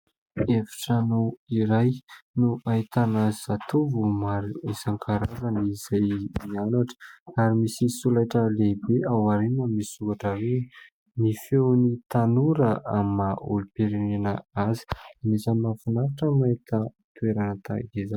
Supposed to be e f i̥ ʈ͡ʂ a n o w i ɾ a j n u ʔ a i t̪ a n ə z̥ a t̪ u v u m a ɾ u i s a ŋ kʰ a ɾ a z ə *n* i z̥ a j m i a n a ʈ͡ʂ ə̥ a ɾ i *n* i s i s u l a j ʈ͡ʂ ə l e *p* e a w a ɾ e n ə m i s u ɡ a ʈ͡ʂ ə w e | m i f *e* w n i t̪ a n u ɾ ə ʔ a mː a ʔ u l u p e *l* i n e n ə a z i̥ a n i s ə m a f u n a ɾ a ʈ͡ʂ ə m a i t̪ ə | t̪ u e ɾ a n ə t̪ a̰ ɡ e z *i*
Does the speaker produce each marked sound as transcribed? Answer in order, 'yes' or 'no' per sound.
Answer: yes, no, no, yes, no, no

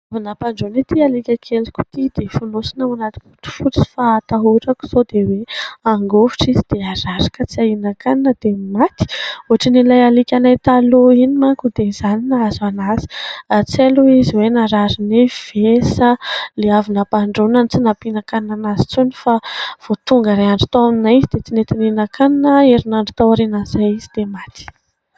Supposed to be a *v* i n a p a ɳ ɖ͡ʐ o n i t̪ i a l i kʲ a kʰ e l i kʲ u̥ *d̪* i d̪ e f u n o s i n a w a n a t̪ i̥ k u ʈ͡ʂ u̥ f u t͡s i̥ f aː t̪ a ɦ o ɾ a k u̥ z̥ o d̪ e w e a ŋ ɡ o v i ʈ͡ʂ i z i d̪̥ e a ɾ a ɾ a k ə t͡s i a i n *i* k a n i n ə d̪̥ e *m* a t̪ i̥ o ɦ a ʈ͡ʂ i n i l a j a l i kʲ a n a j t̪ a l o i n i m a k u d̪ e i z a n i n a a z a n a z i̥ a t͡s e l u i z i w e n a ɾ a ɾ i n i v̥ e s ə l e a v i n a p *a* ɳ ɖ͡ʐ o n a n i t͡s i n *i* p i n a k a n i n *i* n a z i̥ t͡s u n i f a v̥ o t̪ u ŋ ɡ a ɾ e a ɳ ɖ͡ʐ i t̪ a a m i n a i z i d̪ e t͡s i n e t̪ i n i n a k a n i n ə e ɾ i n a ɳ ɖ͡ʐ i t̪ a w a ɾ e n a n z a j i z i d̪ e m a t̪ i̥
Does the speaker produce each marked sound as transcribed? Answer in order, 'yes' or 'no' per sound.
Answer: yes, no, no, yes, yes, no, no

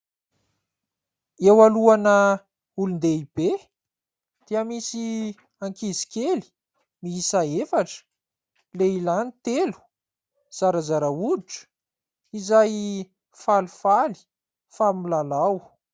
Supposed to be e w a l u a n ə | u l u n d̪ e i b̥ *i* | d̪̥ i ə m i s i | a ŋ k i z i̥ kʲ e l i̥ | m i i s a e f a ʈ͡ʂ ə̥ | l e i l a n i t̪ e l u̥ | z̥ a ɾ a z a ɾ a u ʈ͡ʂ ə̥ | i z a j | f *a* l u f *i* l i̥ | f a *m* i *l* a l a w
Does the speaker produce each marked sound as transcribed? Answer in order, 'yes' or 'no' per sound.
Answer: no, yes, no, yes, yes

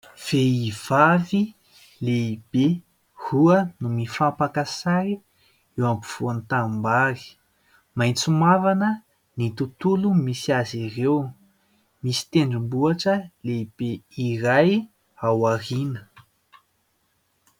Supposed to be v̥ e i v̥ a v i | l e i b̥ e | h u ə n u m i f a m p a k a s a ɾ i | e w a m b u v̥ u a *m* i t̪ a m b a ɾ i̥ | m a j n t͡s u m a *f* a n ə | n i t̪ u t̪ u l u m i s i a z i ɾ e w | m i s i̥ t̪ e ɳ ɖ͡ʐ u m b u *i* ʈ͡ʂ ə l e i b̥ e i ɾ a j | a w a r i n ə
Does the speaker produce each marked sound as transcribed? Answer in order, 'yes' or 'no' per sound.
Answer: no, no, no

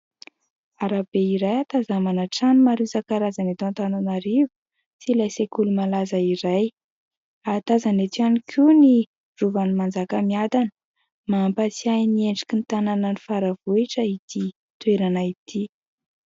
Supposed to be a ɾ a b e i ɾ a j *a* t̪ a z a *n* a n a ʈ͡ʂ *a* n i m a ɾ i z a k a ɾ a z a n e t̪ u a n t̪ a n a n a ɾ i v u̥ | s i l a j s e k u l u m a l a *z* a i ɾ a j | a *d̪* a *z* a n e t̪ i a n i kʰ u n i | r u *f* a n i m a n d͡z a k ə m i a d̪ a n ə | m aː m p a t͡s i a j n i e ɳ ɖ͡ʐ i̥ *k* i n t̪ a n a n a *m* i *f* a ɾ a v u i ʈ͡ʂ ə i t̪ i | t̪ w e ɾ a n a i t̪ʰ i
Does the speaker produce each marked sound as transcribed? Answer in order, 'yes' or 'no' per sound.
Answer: yes, no, yes, yes, no, yes, no, yes, no, yes

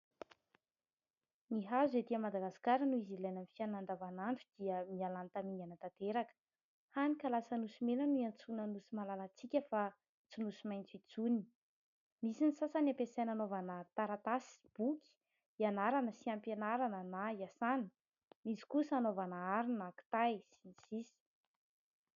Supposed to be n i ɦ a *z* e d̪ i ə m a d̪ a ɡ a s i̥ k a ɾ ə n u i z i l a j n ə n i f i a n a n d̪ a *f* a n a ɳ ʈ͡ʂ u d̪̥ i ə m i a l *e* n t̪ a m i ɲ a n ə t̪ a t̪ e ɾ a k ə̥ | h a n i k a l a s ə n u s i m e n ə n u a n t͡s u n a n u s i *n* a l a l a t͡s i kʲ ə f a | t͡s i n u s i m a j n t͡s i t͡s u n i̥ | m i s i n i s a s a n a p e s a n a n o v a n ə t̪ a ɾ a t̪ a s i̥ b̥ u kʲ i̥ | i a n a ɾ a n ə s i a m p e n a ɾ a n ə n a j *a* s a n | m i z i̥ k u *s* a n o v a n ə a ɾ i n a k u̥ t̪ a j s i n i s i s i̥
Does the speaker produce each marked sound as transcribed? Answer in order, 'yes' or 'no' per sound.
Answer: yes, no, no, no, yes, yes

